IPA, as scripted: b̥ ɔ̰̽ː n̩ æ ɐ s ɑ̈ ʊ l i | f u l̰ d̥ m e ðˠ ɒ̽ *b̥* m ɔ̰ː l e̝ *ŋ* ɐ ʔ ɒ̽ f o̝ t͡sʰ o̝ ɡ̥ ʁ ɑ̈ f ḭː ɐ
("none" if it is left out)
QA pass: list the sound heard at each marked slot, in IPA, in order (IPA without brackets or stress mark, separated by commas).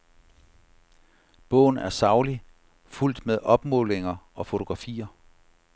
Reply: b̥, ŋ